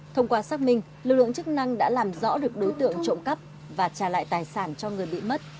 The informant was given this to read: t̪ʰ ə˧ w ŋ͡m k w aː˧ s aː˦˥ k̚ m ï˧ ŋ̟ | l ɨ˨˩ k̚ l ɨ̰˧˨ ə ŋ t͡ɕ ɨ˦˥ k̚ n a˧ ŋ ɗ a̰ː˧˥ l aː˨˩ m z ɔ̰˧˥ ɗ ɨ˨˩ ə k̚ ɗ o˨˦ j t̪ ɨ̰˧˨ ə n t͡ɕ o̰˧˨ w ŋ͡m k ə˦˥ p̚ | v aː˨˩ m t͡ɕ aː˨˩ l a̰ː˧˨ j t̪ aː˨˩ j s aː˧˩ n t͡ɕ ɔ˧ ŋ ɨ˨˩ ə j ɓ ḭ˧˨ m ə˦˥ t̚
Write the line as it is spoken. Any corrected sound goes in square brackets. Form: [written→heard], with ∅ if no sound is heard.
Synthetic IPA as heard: t̪ʰ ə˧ w ŋ͡m k w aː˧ s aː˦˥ k̚ m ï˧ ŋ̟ | l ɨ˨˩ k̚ l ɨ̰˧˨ ə ŋ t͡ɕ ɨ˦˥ k̚ n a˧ ŋ ɗ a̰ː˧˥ l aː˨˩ m z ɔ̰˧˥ ɗ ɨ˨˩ ə k̚ ɗ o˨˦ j t̪ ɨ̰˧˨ ə [n→ŋ] t͡ɕ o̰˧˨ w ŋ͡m k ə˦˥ p̚ | v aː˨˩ [m→∅] t͡ɕ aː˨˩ l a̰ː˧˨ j t̪ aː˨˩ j s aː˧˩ n t͡ɕ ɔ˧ ŋ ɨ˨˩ ə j ɓ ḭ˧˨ m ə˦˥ t̚